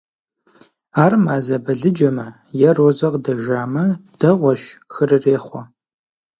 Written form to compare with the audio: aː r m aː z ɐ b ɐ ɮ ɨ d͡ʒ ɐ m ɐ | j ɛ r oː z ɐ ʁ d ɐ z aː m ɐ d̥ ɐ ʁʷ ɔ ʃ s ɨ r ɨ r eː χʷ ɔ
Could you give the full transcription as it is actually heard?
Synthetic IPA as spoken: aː r m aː z ɐ b ɐ ɮ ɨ d͡ʒ ɐ m ɐ | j ɛ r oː z ɐ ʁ d ɐ ʒ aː m ɐ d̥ ɐ ʁʷ ɔ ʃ x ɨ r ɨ r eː χʷ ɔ